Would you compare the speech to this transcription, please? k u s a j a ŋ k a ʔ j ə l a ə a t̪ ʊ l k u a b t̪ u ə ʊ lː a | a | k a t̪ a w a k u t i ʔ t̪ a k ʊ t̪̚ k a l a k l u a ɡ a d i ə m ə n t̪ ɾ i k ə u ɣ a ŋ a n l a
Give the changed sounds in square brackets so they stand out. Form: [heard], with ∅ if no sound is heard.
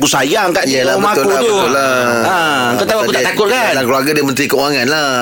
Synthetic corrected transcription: k u s a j a ŋ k a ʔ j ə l a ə a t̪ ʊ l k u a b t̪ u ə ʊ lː a | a | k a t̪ a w a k u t [a] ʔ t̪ a k ʊ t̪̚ k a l a k l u a ɡ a d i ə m ə n t̪ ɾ i k ə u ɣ a ŋ a n l a